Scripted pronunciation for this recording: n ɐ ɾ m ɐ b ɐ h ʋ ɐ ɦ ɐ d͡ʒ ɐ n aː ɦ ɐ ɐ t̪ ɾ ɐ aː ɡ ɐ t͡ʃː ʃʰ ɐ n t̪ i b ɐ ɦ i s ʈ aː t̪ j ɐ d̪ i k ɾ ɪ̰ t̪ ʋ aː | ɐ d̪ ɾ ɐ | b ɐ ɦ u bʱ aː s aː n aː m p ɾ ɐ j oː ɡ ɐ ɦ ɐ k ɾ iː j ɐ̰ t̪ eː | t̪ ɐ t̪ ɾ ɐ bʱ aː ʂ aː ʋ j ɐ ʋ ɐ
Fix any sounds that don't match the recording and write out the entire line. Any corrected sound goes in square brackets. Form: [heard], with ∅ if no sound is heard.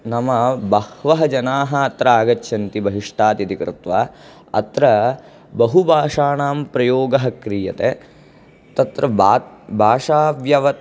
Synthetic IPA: n ɐ [∅] m ɐ b ɐ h ʋ ɐ ɦ ɐ d͡ʒ ɐ n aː ɦ ɐ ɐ t̪ ɾ ɐ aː ɡ ɐ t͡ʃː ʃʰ ɐ n t̪ i b ɐ ɦ i [ʂ] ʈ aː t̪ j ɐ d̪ i k ɾ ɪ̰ t̪ ʋ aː | ɐ [t̪] ɾ ɐ | b ɐ ɦ u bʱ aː [ʂ] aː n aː m p ɾ ɐ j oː ɡ ɐ ɦ ɐ k ɾ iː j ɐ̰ t̪ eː | t̪ ɐ t̪ ɾ ɐ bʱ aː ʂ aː ʋ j ɐ ʋ ɐ